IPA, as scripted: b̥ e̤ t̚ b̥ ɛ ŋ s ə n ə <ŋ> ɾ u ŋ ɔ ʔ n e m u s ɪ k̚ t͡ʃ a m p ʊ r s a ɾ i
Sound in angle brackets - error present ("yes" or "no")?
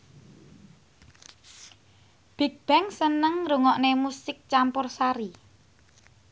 no